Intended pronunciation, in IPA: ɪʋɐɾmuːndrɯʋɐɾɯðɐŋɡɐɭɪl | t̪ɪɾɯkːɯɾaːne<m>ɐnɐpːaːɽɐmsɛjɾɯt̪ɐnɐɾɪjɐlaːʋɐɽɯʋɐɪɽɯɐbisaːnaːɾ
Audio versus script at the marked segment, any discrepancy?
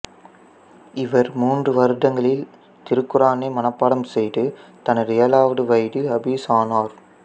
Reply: no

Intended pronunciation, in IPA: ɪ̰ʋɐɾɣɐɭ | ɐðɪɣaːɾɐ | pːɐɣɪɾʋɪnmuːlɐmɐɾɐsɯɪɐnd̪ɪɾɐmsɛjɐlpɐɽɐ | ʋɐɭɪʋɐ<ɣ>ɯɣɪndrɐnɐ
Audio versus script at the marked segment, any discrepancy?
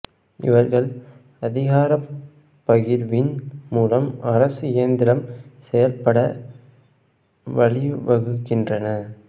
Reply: no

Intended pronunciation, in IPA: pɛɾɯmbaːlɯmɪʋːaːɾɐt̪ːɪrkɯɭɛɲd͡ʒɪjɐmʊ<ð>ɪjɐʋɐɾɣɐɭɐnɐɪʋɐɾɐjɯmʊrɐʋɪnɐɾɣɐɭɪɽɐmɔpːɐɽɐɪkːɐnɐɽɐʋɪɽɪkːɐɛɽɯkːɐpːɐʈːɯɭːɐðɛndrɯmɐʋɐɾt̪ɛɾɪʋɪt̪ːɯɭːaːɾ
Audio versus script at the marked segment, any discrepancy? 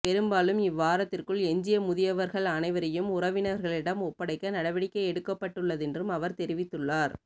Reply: no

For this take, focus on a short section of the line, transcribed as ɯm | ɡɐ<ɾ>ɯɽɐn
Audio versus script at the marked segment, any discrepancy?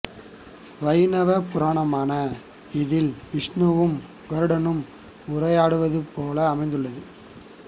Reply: no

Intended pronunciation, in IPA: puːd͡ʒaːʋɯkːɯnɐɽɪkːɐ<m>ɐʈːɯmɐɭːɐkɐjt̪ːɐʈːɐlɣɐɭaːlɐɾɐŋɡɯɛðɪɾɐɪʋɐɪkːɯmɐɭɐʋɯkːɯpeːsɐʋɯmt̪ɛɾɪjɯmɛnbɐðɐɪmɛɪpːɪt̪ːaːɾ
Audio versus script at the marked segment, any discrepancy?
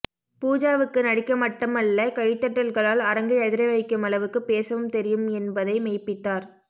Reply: no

